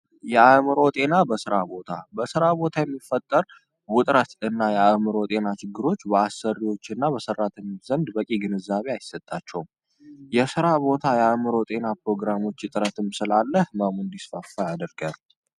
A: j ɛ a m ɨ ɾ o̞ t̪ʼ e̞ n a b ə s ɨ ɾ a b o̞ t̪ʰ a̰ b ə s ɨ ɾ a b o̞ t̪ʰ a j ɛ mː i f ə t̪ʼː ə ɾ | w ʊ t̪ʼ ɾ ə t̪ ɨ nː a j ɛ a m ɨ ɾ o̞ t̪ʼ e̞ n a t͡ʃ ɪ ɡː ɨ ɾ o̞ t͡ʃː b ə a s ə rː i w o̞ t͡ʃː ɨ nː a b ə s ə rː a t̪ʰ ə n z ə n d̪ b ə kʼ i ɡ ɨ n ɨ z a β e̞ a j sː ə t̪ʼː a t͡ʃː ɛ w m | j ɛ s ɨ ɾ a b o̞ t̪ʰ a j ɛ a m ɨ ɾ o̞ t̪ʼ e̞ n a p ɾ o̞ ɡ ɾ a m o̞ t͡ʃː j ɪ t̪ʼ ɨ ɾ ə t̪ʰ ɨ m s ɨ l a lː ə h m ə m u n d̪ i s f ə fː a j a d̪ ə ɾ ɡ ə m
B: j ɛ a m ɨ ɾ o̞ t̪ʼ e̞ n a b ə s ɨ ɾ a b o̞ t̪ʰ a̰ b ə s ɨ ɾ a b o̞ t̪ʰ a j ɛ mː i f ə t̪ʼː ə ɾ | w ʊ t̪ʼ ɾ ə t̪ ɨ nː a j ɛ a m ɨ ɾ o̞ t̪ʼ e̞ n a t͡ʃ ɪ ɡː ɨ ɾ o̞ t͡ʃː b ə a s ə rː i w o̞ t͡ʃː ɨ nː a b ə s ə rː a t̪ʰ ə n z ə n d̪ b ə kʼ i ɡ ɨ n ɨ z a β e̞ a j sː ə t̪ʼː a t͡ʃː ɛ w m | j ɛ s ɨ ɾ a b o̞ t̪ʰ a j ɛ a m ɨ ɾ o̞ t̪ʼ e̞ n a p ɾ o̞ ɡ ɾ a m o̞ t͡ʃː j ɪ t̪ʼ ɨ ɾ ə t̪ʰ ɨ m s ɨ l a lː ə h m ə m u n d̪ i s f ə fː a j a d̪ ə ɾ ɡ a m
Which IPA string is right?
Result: A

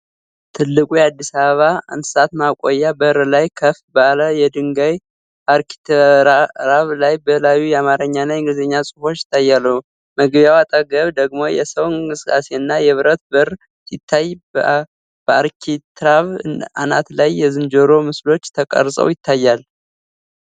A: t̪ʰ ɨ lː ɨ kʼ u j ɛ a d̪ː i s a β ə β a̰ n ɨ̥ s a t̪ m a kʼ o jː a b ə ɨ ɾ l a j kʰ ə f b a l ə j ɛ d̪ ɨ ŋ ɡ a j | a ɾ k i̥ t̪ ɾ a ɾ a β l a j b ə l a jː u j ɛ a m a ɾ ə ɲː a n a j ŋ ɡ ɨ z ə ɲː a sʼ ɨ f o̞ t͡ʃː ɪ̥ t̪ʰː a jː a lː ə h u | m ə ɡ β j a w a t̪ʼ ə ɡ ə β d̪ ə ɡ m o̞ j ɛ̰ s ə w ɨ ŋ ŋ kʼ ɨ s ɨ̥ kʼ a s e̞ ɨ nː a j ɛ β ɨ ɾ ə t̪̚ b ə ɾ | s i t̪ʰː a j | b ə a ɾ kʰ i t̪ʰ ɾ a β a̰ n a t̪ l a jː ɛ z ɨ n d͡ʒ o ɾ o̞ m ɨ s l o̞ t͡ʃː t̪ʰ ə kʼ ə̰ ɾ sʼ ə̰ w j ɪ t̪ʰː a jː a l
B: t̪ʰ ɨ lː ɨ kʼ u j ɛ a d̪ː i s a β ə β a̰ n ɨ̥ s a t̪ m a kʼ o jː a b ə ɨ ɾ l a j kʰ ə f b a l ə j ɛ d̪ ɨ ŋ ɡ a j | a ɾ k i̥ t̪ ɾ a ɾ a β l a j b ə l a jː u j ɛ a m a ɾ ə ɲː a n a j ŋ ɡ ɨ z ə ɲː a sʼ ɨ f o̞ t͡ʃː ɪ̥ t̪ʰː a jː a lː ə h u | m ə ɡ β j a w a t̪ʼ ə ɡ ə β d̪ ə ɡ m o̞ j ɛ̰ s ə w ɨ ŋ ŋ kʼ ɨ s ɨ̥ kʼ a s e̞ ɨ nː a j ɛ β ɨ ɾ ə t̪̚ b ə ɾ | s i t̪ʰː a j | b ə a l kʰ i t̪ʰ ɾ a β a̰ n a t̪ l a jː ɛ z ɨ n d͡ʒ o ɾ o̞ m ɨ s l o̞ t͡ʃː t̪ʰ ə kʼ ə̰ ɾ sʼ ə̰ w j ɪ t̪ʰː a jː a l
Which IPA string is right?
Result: A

